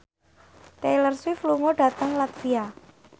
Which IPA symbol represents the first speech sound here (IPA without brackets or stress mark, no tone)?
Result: t̪